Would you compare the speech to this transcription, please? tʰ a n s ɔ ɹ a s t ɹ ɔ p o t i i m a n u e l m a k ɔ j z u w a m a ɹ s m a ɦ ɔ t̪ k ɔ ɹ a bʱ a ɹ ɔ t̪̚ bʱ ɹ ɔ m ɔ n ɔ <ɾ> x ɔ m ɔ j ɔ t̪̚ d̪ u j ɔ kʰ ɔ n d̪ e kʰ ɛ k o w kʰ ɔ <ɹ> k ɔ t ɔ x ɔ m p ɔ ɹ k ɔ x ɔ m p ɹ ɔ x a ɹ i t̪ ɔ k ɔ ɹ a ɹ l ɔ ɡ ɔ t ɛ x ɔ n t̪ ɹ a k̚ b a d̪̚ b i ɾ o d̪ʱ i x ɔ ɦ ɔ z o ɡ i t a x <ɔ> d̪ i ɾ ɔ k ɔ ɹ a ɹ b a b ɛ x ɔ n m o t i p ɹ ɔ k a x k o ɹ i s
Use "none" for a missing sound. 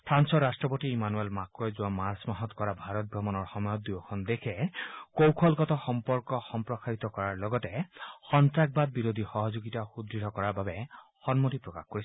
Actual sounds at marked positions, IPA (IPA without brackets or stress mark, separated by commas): ɹ, l, u